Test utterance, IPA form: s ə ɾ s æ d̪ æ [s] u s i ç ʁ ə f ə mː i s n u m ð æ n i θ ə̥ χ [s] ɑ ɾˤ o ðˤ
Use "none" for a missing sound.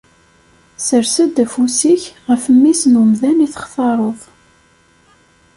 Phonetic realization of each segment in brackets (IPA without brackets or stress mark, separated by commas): f, θ